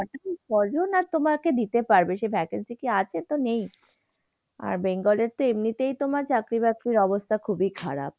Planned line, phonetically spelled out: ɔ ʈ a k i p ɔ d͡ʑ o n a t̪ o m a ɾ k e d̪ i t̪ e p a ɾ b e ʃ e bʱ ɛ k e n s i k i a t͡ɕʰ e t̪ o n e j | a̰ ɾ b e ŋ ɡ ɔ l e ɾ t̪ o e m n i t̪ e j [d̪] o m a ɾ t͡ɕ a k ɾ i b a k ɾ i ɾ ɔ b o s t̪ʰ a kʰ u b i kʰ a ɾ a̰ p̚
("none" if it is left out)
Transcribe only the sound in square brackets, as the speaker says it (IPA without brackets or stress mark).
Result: t̪